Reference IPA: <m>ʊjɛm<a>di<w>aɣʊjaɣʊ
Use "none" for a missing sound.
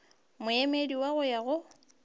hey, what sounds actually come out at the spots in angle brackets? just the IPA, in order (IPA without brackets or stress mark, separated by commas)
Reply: m, e, w